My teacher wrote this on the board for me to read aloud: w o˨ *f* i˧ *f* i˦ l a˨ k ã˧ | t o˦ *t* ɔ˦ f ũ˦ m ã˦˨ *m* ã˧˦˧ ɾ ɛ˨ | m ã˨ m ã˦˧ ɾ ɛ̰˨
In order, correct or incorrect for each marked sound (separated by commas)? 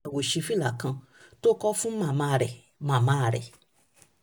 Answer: incorrect, correct, incorrect, correct